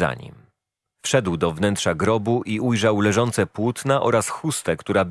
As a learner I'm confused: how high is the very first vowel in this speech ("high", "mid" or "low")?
low